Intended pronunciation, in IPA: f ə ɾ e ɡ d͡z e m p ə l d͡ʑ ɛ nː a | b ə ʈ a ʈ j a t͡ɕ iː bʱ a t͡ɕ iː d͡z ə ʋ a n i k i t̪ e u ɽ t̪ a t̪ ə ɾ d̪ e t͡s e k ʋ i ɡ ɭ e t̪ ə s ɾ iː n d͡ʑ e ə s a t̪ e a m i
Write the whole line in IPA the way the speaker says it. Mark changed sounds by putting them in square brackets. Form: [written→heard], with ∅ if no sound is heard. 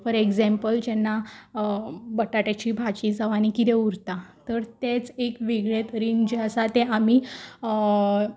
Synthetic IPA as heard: f ə ɾ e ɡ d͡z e m p ə l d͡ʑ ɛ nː a | b ə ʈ a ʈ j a t͡ɕ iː bʱ a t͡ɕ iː d͡z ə ʋ a n i k i t̪ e u [ɽ→ɾ] t̪ a t̪ ə ɾ [d̪→t̪] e t͡s e k ʋ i ɡ ɭ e t̪ ə [s→∅] ɾ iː n d͡ʑ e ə s a t̪ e a m i